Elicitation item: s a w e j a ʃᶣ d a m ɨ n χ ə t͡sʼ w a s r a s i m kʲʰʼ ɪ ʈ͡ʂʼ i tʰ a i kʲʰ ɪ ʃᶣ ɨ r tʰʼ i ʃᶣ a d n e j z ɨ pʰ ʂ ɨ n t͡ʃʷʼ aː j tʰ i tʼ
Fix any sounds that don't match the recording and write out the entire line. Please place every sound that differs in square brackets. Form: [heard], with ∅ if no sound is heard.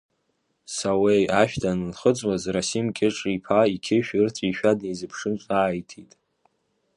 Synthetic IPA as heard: s a w e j a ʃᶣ d a [n] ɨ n χ ə t͡sʼ w a [z] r a s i m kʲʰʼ ɪ ʈ͡ʂʼ i [pʰ] a i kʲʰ ɪ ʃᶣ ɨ r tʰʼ i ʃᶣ a d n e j z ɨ pʰ ʂ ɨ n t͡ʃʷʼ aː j tʰ i tʼ